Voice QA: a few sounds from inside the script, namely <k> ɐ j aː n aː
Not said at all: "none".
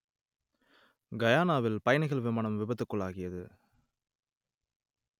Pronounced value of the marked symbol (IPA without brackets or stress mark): ɡ